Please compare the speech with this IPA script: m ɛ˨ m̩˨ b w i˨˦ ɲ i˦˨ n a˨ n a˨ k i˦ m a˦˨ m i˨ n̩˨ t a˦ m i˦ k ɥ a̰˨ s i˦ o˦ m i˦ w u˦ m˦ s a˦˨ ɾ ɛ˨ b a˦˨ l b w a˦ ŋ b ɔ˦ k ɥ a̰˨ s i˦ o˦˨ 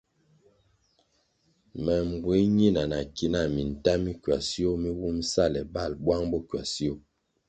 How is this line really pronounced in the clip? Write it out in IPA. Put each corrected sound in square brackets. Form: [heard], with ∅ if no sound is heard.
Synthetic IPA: m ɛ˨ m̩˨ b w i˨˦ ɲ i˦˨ n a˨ n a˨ k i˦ [n] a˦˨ m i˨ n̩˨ t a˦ m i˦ k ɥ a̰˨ s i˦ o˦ m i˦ w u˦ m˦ s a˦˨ [l] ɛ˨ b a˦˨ l b w a˦ ŋ b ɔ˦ k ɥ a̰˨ s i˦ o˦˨

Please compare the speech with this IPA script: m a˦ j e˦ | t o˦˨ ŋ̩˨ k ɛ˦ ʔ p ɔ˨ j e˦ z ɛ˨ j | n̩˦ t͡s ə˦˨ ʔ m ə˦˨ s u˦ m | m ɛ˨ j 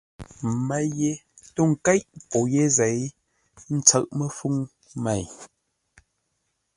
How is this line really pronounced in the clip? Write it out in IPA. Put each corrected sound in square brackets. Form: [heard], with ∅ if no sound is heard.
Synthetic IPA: m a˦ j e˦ | t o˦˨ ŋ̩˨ k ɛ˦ ʔ p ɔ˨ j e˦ z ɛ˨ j | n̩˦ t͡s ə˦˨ ʔ m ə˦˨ [f] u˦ [ŋ] | m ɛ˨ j

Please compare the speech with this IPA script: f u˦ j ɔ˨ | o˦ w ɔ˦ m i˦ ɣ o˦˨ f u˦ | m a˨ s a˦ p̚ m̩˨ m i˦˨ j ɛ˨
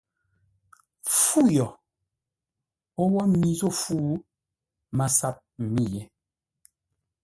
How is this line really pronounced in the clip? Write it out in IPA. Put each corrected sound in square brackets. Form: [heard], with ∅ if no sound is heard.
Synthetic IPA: f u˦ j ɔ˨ | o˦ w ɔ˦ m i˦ [z] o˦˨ f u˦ | m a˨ s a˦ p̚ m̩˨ m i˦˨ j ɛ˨

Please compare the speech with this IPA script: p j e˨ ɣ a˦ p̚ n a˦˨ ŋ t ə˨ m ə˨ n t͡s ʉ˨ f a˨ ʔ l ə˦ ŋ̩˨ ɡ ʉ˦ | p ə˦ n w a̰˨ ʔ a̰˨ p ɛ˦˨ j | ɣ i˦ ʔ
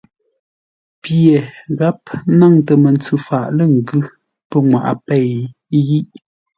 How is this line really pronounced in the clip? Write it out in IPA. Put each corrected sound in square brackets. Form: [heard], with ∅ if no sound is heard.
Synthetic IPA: p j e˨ ɣ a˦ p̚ n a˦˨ ŋ t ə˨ m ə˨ n t͡s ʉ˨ f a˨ ʔ l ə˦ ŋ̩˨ ɡ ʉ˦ | p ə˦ [ŋ] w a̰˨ ʔ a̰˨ p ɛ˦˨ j | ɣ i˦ ʔ

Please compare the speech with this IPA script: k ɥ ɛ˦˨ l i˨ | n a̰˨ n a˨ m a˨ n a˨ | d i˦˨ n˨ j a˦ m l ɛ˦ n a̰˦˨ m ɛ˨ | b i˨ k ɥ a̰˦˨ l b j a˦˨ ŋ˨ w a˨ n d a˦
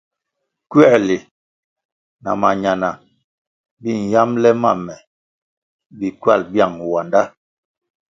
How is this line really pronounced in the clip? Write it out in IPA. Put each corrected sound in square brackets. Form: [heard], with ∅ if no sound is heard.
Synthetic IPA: k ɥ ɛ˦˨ l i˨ | n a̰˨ [m] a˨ [ɲ] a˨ n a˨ | [b] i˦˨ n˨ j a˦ m l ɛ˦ [m] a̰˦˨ m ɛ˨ | b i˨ k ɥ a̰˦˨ l b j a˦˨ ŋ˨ w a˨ n d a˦

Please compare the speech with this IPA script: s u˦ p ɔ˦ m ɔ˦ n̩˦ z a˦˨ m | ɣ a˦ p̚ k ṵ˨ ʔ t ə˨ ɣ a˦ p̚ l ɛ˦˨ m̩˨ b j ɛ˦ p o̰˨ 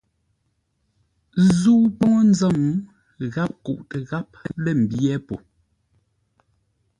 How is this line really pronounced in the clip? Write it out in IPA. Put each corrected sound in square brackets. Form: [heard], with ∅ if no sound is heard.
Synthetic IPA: [z] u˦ p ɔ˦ [ŋ] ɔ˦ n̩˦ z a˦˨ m | ɣ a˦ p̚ k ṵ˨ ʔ t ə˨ ɣ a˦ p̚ l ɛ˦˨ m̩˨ b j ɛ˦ p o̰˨

